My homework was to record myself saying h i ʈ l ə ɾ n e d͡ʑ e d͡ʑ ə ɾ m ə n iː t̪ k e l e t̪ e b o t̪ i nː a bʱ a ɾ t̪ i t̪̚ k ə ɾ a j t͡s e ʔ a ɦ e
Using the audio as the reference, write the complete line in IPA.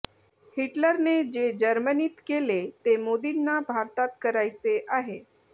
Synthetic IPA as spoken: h i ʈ l ə ɾ n e d͡ʑ e d͡ʑ ə ɾ m ə n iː t̪ k e l e t̪ e m o d̪ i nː a bʱ a ɾ t̪ a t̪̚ k ə ɾ a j t͡s e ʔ a ɦ e